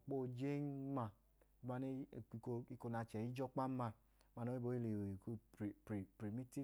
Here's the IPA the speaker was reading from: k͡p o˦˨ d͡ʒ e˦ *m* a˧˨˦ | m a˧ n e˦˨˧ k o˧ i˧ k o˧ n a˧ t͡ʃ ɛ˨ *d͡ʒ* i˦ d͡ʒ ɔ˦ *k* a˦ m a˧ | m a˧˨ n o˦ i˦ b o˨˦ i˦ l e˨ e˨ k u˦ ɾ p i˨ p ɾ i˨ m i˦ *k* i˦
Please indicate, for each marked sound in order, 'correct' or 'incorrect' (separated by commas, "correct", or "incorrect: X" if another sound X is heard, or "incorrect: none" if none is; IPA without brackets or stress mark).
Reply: correct, incorrect: none, incorrect: k͡p, incorrect: t